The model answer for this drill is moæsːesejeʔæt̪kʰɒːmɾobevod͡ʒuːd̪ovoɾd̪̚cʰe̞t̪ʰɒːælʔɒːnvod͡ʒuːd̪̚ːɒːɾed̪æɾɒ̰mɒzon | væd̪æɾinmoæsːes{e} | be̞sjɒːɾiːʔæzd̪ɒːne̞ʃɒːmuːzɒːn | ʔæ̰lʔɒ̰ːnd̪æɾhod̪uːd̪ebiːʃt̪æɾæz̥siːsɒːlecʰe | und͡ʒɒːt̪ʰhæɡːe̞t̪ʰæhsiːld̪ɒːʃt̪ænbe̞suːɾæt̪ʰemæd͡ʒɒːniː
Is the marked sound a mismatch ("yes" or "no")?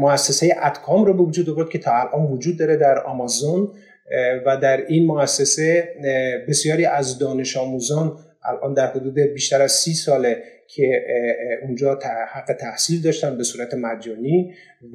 no